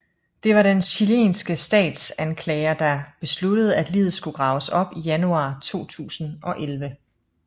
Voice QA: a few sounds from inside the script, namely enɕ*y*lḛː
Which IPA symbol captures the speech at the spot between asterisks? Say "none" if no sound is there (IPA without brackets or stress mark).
i